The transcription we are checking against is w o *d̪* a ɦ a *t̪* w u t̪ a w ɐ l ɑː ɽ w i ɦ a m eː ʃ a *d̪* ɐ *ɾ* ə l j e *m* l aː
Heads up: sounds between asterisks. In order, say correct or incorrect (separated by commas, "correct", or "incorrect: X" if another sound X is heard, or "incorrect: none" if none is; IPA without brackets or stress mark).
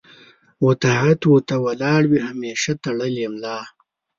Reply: incorrect: t̪, correct, incorrect: t̪, incorrect: ɽ, correct